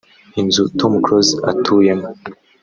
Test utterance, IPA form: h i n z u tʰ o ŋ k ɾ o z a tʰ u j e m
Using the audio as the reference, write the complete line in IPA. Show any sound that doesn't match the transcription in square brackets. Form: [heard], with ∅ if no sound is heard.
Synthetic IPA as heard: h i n z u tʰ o [m] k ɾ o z a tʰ u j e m

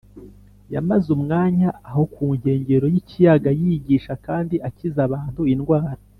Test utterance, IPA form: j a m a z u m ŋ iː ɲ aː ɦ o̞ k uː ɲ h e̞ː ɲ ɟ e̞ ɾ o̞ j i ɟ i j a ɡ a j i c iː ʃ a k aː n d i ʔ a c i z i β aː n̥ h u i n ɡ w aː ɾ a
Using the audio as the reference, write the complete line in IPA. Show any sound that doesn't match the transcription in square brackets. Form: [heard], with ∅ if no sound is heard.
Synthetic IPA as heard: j a m a z u m ŋ [aː] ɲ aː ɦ o̞ k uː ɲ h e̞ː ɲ ɟ e̞ ɾ o̞ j i [c] i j a ɡ a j i [ɟ] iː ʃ a k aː n d i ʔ a c i z [a] β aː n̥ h u i n ɡ w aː ɾ a

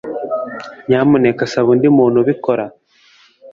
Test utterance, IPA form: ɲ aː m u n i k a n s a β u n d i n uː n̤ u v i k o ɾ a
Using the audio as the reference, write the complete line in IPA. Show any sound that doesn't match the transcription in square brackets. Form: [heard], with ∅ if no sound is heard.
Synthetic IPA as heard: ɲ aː m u n [e] k a [∅] s a β u n d i [m] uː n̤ u [β] i k o ɾ a

